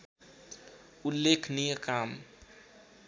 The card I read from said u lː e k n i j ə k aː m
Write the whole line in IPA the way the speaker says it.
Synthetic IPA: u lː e kʰ n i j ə k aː m